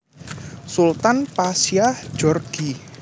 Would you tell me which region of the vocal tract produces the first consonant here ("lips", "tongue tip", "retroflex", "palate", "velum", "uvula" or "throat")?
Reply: tongue tip